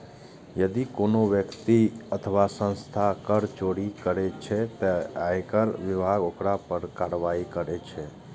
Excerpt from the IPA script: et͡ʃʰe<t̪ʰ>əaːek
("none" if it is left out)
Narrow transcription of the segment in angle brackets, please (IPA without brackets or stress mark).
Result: t̪